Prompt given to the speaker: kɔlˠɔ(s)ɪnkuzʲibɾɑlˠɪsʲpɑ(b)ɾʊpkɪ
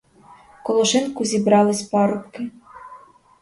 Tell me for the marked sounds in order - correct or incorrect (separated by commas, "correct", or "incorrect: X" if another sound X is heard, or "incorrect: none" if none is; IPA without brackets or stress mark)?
incorrect: ʃ, incorrect: none